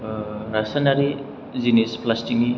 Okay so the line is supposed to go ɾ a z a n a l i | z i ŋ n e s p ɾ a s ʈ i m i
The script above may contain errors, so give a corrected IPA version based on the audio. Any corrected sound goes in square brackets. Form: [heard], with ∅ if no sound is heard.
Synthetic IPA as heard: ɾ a [s] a n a [ɾ] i | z i [∅] n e s p [l] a s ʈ i [ŋ] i